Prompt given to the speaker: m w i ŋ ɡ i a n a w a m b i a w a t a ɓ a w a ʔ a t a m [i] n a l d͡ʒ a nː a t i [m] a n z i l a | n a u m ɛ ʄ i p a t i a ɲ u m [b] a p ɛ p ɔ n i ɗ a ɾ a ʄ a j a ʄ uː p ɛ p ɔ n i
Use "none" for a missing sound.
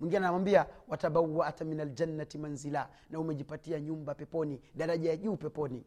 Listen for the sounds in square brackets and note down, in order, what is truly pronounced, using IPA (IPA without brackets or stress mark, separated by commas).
i, m, b